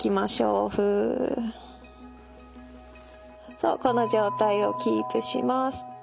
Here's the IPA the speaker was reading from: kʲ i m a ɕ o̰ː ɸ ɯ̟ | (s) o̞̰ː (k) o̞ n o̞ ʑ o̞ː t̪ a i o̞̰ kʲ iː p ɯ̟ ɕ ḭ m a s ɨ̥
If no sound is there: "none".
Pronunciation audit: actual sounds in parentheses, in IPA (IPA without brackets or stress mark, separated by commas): s, k